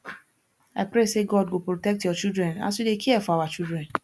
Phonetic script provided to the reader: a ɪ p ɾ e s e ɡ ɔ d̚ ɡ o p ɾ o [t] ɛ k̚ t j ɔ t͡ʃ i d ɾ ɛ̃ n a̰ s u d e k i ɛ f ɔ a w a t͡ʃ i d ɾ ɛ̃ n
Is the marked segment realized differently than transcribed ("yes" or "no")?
no